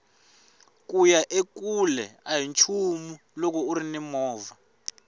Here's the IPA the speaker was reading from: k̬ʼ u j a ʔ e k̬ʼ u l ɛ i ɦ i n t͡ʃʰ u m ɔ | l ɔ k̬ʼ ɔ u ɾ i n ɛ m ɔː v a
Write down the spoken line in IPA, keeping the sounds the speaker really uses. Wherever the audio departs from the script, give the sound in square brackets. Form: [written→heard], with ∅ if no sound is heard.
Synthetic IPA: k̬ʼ u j a ʔ e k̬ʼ u l ɛ [i→a] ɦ i n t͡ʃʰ u m [ɔ→u] | l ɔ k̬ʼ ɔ u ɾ i n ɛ m ɔː v a